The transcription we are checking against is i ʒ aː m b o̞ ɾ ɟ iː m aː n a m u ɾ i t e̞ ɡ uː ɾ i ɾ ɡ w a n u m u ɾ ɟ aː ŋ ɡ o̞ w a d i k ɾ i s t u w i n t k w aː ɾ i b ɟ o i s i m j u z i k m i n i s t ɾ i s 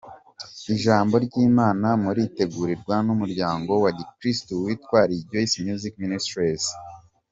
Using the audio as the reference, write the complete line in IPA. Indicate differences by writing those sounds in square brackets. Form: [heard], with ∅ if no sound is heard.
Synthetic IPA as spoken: i ʒ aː m b o̞ ɾ ɟ iː m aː n a m u ɾ i t e̞ ɡ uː ɾ i ɾ ɡ w a n u m u ɾ ɟ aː ŋ ɡ o̞ w a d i k ɾ i s t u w i [∅] t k w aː ɾ i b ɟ o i s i m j u z i k m i n i s t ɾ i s